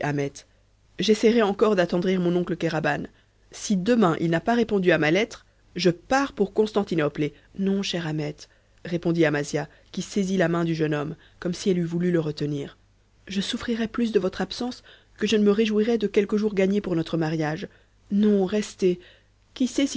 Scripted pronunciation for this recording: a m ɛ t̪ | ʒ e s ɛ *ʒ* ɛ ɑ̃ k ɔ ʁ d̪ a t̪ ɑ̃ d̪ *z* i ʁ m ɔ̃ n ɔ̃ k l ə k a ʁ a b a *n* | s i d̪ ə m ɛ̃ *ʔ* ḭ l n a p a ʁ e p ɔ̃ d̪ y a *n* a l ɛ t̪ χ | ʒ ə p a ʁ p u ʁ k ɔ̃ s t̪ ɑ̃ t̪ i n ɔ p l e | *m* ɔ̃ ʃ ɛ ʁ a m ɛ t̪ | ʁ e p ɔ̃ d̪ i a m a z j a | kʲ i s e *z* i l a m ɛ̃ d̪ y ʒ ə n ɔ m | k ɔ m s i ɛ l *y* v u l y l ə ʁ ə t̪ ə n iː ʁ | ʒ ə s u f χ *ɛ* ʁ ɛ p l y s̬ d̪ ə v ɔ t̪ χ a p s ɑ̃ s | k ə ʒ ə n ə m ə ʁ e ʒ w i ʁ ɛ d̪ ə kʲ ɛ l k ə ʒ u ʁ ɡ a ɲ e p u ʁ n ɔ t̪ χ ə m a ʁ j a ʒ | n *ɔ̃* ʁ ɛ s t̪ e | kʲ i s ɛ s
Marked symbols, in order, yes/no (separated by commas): no, no, yes, yes, no, no, yes, yes, no, yes